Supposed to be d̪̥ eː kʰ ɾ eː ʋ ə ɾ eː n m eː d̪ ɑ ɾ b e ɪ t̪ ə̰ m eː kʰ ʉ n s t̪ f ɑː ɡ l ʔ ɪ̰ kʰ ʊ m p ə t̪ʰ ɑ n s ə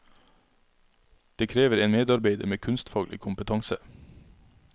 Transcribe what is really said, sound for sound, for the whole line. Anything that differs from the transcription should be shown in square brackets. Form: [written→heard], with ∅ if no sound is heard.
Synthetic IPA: d̪̥ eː kʰ ɾ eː ʋ ə ɾ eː n m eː d̪ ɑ ɾ b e ɪ [t̪→d̪] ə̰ m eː kʰ ʉ n s t̪ f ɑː ɡ l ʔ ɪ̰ kʰ ʊ m p ə t̪ʰ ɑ [n→ŋ] s ə